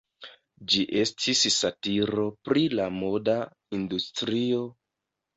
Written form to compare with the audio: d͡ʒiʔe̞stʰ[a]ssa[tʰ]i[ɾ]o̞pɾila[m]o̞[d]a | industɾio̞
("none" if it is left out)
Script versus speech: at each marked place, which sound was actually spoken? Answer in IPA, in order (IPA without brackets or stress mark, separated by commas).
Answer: i, t, ɾ, m, d